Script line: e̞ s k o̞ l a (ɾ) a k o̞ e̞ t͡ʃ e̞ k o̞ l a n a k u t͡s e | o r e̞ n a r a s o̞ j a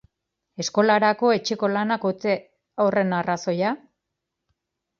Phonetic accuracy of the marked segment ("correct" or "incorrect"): correct